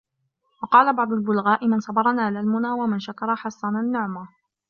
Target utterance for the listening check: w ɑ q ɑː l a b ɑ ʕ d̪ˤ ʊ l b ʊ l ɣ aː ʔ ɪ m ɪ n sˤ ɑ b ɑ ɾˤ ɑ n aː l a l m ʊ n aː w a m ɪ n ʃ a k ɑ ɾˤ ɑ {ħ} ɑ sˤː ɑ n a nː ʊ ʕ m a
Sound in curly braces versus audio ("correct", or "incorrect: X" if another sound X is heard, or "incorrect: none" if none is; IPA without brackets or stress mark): correct